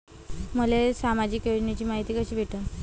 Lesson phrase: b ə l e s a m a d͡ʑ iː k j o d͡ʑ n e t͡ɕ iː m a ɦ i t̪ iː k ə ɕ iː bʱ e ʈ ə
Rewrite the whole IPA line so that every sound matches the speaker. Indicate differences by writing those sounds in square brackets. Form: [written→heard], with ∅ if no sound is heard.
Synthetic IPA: [b→m] ə l e s a m a d͡ʑ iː k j o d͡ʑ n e t͡ɕ iː m a ɦ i t̪ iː k ə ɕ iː bʱ e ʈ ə